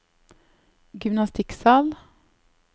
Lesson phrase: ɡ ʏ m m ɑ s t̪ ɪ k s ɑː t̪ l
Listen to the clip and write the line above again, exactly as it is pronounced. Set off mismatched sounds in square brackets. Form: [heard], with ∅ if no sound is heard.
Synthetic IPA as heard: ɡ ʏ m [n] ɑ s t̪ ɪ k s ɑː [∅] l